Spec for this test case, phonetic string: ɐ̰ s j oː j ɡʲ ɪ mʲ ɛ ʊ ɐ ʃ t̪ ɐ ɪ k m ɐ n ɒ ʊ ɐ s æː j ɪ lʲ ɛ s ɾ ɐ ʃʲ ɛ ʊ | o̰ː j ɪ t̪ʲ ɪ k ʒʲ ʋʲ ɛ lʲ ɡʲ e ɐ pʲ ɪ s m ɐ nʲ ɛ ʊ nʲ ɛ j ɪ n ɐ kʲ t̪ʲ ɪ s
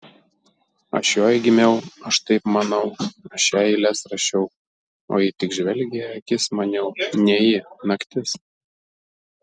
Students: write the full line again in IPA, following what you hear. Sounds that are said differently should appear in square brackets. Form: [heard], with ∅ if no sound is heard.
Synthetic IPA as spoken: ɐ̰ [ʃ] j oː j ɡʲ ɪ mʲ ɛ ʊ ɐ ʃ t̪ ɐ ɪ [p] m ɐ n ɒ ʊ ɐ [ʃ] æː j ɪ lʲ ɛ s ɾ ɐ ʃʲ ɛ ʊ | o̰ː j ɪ t̪ʲ ɪ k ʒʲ ʋʲ ɛ lʲ ɡʲ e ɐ [kʲ] ɪ s m ɐ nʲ ɛ ʊ nʲ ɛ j ɪ n ɐ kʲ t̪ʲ ɪ s

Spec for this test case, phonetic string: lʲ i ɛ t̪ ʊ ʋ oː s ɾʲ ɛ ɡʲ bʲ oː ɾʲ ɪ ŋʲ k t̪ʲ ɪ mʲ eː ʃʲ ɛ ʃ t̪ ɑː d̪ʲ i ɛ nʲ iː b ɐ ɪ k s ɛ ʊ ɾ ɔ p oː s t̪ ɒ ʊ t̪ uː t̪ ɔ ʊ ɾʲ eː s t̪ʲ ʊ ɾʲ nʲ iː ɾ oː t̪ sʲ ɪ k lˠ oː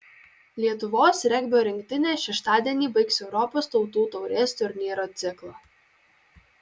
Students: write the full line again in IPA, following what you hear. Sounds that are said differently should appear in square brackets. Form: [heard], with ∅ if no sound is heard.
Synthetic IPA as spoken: lʲ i ɛ t̪ ʊ ʋ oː s ɾʲ ɛ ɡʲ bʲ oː ɾʲ ɪ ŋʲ k t̪ʲ ɪ [nʲ] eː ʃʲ ɛ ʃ t̪ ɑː d̪ʲ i ɛ nʲ iː b ɐ ɪ k s ɛ ʊ ɾ ɔ p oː s t̪ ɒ ʊ t̪ uː t̪ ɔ ʊ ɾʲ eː s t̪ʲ ʊ ɾʲ nʲ iː ɾ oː t̪ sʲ ɪ k lˠ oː

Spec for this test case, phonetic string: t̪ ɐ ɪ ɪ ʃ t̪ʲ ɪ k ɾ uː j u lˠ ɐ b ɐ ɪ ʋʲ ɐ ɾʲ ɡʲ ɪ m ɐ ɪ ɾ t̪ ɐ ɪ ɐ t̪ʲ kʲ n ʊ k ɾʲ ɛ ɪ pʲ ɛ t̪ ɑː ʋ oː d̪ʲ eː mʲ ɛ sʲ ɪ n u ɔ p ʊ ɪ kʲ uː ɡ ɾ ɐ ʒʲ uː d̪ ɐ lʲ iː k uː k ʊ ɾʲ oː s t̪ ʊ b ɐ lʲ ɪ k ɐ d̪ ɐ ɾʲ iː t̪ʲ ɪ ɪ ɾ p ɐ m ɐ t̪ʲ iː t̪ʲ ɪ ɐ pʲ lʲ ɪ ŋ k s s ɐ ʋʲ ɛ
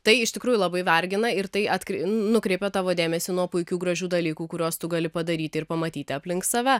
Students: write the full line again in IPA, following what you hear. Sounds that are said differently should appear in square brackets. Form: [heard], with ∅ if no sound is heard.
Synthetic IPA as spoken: t̪ ɐ ɪ ɪ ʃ t̪ʲ ɪ k ɾ uː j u lˠ ɐ b ɐ ɪ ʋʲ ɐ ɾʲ ɡʲ ɪ [n] ɐ ɪ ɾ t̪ ɐ ɪ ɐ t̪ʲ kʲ n ʊ k ɾʲ ɛ ɪ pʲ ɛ t̪ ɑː ʋ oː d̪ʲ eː mʲ ɛ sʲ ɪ n u ɔ p ʊ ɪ kʲ uː ɡ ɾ ɐ ʒʲ uː d̪ ɐ lʲ iː k uː k ʊ ɾʲ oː s t̪ ʊ [ɡ] ɐ lʲ ɪ [p] ɐ d̪ ɐ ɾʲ iː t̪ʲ ɪ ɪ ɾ p ɐ m ɐ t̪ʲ iː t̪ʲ ɪ ɐ pʲ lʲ ɪ ŋ k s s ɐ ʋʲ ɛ

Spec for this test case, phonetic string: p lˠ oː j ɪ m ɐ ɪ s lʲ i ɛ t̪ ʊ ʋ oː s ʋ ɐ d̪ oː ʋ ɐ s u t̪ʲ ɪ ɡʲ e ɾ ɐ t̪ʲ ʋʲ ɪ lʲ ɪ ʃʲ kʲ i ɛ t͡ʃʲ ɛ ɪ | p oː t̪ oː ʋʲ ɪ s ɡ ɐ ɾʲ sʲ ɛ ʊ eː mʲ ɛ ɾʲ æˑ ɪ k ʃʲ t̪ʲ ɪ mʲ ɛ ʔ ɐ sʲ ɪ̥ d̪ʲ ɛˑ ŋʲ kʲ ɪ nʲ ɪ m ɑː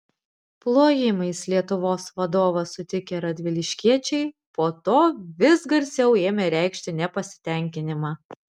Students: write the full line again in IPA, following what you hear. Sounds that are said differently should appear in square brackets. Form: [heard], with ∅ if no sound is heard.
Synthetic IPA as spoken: p lˠ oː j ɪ m ɐ ɪ s lʲ i ɛ t̪ ʊ ʋ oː s ʋ ɐ d̪ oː ʋ ɐ s [ʊ] t̪ʲ ɪ [kʲ] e ɾ ɐ [d̪ʲ] ʋʲ ɪ lʲ ɪ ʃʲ kʲ i ɛ t͡ʃʲ ɛ ɪ | p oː t̪ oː ʋʲ ɪ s ɡ ɐ ɾʲ sʲ ɛ ʊ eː mʲ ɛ ɾʲ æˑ ɪ k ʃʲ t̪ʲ ɪ [nʲ] ɛ [p] ɐ sʲ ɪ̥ [t̪ʲ] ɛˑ ŋʲ kʲ ɪ nʲ ɪ m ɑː

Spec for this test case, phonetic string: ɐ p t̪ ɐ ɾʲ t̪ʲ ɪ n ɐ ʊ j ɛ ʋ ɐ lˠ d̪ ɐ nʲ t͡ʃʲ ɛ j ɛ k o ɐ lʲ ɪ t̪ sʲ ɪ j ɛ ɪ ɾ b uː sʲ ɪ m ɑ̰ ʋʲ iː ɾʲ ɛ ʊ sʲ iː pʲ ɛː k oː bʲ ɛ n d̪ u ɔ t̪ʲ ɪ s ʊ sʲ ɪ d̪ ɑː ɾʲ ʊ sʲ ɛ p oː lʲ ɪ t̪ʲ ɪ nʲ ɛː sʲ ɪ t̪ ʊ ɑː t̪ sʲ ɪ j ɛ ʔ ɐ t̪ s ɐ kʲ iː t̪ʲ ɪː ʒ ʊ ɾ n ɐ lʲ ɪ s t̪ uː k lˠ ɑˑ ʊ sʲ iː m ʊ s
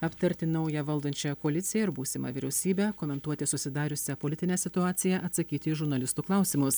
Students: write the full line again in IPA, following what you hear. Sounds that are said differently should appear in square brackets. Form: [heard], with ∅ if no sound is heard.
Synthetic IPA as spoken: ɐ p t̪ ɐ ɾʲ t̪ʲ ɪ n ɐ ʊ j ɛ ʋ ɐ lˠ d̪ ɐ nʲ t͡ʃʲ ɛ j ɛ k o ɐ lʲ ɪ t̪ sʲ ɪ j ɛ ɪ ɾ b uː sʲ ɪ m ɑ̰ ʋʲ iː ɾʲ ɛ ʊ sʲ iː [bʲ] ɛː k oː [mʲ] ɛ n [t̪] u ɔ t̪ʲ ɪ s ʊ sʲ ɪ d̪ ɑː ɾʲ ʊ sʲ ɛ p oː lʲ ɪ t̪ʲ ɪ nʲ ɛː sʲ ɪ t̪ ʊ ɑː t̪ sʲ ɪ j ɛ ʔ ɐ t̪ s ɐ kʲ iː t̪ʲ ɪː ʒ ʊ ɾ n ɐ lʲ ɪ s t̪ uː k lˠ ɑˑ ʊ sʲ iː m ʊ s

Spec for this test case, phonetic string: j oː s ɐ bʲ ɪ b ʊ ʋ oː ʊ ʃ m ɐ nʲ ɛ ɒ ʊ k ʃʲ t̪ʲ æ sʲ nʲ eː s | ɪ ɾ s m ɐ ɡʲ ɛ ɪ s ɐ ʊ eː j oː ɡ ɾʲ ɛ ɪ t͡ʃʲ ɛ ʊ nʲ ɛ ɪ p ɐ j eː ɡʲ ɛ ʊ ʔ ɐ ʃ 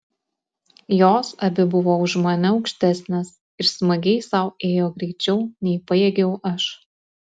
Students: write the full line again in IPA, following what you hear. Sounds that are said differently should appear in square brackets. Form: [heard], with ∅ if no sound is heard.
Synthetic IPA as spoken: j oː s ɐ bʲ ɪ b ʊ ʋ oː ʊ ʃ m ɐ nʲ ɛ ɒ ʊ k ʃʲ t̪ʲ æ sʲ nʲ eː s | ɪ ɾ s m ɐ ɡʲ ɛ ɪ s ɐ ʊ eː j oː ɡ ɾʲ ɛ ɪ t͡ʃʲ ɛ ʊ nʲ ɛ ɪ p ɐ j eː ɡʲ ɛ ʊ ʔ ɐ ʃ

